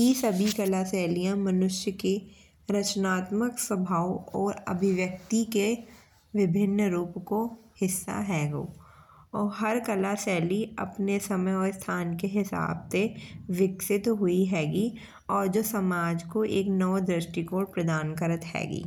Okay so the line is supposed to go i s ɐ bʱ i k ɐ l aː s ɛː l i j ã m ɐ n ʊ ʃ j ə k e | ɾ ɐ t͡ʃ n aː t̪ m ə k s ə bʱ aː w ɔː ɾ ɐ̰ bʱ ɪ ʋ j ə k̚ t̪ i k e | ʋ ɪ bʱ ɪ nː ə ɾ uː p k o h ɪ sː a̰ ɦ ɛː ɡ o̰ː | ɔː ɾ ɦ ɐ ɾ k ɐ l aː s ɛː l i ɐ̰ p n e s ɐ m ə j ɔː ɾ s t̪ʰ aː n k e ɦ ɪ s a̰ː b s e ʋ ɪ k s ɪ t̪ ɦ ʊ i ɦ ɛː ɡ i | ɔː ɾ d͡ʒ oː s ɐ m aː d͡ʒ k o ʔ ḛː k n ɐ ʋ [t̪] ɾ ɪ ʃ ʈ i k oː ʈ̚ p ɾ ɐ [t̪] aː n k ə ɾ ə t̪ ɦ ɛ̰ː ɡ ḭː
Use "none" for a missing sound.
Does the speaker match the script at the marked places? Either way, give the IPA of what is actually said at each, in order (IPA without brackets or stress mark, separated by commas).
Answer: d̪, d̪